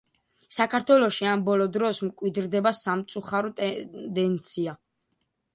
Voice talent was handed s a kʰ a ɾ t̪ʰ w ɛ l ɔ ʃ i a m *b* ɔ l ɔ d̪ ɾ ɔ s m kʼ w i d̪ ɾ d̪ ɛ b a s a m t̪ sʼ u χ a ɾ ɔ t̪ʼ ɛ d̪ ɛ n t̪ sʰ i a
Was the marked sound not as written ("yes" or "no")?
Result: no